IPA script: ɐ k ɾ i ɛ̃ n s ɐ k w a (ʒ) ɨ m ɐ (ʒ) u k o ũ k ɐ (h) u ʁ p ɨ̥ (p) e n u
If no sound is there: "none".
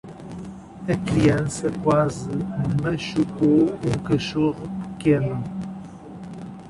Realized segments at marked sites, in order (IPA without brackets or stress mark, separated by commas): z, ʃ, ʃ, k